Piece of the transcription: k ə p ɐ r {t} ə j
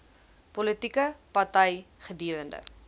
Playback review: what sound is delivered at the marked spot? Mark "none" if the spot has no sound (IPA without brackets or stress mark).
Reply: t